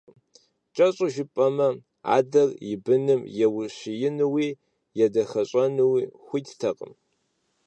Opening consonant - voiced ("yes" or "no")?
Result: no